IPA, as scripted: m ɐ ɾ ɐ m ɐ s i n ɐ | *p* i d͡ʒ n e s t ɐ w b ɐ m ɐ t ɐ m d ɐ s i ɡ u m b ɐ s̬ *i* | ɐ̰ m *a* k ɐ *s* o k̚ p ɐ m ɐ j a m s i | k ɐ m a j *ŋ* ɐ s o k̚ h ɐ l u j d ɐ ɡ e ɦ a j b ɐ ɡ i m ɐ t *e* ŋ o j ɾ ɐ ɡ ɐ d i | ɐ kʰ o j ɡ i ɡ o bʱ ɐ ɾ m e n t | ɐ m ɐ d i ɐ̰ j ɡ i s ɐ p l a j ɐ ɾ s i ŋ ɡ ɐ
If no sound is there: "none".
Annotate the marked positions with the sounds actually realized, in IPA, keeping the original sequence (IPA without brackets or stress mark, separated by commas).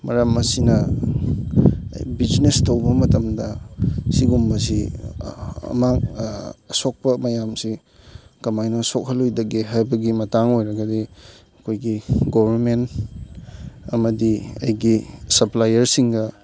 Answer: b, i, a, s, n, a